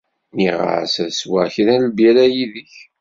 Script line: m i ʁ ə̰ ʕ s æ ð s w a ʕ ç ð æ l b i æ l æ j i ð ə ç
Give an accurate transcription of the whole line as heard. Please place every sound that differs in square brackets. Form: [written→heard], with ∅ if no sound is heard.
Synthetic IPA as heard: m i ʁ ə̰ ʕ s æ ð s w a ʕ ç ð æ l b [i→j] æ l æ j i ð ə ç